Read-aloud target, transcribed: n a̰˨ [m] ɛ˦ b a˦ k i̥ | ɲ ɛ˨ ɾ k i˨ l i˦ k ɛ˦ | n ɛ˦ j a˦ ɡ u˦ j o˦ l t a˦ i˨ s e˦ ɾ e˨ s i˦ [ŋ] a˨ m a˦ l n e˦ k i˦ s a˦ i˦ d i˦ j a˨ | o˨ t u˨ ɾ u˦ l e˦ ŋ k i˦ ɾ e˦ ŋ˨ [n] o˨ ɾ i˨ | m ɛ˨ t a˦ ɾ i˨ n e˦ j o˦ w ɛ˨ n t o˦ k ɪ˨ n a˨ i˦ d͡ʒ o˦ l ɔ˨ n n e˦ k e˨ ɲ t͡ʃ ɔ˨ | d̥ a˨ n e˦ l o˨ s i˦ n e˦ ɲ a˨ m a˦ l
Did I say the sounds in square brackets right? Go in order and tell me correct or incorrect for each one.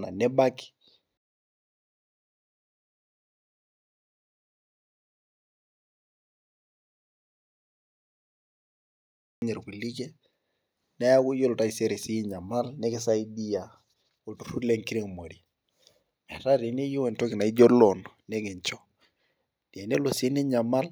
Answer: incorrect: n, incorrect: ɲ, incorrect: m

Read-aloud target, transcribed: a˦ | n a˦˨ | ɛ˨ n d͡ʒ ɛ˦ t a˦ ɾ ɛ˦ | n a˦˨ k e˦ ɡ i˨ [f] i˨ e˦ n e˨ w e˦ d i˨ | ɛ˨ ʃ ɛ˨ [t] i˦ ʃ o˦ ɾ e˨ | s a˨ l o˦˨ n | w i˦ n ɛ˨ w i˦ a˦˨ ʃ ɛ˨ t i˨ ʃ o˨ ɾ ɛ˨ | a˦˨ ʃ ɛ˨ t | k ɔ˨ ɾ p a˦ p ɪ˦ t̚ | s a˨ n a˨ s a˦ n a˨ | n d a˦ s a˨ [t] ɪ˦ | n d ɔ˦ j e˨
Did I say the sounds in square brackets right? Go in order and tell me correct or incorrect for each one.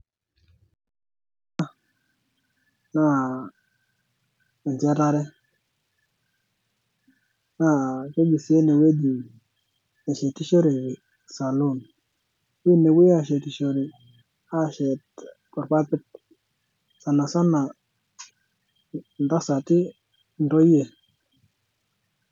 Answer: incorrect: s, correct, correct

